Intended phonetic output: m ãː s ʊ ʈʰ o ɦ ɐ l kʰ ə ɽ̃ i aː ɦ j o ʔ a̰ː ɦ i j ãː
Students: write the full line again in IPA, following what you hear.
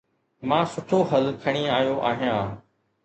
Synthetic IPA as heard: m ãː s ʊ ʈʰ o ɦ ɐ l kʰ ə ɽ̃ i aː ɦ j o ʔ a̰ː ɦ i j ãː